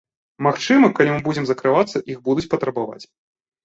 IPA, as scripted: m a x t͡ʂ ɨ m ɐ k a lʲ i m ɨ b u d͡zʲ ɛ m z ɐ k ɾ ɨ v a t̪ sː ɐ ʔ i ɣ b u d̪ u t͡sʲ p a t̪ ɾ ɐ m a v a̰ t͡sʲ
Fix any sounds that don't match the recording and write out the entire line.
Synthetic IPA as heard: m a x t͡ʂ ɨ m ɐ k a lʲ i m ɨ b u d͡zʲ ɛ m z ɐ k ɾ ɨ v a t̪ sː ɐ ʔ i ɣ b u d̪ u t͡sʲ p ɐ t̪ ɾ ɐ b a v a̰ t͡sʲ